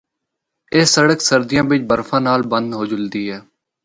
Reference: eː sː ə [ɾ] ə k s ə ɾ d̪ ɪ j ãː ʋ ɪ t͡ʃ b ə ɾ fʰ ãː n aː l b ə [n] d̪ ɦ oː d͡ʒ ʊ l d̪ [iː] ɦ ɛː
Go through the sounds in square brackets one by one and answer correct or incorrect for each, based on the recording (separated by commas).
incorrect, correct, correct